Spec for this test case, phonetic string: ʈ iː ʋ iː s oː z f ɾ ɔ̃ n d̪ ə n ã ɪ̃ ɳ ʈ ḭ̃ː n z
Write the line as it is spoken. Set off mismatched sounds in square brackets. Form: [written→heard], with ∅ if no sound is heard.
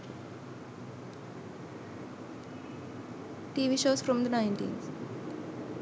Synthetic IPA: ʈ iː ʋ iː [s→ʃ] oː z f ɾ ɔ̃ [n→m] d̪ ə n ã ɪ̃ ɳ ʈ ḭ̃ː n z

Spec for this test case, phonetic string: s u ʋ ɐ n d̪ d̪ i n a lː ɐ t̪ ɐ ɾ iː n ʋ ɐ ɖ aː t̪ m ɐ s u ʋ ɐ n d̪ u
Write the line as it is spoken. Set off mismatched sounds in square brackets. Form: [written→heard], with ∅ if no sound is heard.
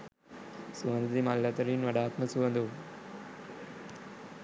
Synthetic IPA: s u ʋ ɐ n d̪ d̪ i [n→m] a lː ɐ t̪ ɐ ɾ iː n ʋ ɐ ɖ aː t̪ m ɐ s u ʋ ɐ n d̪ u

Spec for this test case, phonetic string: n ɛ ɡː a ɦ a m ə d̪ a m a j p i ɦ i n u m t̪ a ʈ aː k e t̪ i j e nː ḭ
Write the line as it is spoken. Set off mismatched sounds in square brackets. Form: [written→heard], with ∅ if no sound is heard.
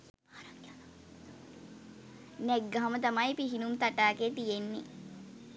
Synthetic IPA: n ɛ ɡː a ɦ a m ə [d̪→t̪] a m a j p i ɦ i n u m t̪ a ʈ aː k e t̪ i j e nː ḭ

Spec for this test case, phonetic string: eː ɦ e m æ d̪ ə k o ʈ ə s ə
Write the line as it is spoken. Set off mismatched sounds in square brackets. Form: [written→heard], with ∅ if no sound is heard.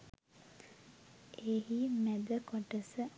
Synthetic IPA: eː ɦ [e→i] m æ d̪ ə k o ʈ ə s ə

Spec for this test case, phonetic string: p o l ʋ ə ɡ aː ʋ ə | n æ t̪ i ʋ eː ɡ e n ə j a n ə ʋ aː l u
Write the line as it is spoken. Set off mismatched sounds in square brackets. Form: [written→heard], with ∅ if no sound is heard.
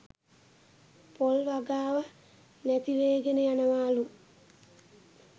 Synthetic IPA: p o l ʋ [ə→a] ɡ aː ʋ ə | n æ t̪ i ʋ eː ɡ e n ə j a n ə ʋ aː l u

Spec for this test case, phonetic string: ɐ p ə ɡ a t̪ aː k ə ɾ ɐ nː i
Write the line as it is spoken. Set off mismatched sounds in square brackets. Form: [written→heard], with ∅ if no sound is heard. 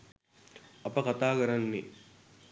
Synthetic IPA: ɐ p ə [ɡ→k] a t̪ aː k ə ɾ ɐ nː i

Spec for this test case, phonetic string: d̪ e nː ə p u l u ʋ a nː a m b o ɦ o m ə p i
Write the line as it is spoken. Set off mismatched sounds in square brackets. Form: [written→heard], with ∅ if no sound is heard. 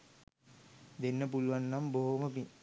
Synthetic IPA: d̪ e nː ə p u l u ʋ a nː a m b o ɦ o m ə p i

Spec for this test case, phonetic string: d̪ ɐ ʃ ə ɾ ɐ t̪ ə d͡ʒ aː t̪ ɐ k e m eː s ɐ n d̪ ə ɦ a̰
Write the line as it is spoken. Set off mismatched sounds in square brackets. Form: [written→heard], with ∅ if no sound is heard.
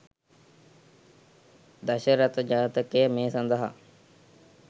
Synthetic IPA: d̪ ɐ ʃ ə ɾ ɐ t̪ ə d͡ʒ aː t̪ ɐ k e m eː s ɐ n d̪ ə ɦ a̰

